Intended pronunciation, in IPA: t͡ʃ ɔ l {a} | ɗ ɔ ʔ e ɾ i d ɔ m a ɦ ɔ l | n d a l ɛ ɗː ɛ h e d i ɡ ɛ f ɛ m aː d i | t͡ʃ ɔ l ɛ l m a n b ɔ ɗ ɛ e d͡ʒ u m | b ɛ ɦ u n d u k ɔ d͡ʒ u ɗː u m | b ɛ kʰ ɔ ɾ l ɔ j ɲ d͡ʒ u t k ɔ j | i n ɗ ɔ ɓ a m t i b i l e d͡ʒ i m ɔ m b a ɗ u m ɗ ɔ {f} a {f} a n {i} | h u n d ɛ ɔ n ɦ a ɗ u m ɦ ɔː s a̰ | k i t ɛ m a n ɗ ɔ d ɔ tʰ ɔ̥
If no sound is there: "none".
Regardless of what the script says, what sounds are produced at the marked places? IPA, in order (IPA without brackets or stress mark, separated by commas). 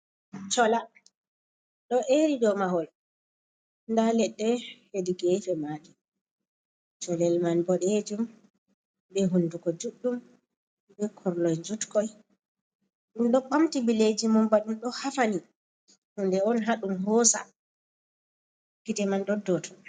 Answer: a, h, f, i